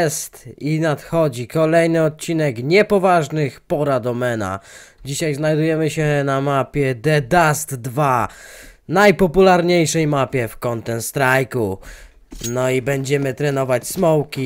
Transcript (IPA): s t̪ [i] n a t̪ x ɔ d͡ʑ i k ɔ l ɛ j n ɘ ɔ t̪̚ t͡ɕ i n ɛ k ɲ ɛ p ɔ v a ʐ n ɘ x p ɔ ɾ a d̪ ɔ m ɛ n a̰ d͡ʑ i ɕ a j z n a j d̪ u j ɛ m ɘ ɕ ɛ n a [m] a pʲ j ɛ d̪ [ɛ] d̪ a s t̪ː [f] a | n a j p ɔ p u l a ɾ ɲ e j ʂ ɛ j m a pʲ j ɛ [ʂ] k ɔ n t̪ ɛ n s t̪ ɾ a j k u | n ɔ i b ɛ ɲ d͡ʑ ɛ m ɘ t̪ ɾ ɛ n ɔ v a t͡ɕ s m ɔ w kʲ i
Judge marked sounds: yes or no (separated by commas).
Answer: yes, yes, yes, no, no